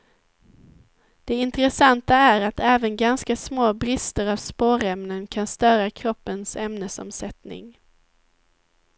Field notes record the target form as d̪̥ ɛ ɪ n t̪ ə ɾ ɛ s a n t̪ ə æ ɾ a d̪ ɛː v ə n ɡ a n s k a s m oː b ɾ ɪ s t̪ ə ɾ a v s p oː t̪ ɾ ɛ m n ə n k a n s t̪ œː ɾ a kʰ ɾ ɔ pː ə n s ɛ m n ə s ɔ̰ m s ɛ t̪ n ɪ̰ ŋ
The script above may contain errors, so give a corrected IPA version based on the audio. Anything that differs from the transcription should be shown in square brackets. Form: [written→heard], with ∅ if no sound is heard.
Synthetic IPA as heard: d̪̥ ɛ ɪ n t̪ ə ɾ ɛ s a n t̪ [ə→a] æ ɾ a [d̪→t̪] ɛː v ə n ɡ a n s k a s m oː b ɾ ɪ s t̪ ə ɾ a v s p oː [t̪→∅] ɾ ɛ m n ə n [k→kʰ] a n s t̪ œː ɾ a kʰ ɾ ɔ pː ə n s ɛ m n ə s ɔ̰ m s ɛ t̪ n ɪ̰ ŋ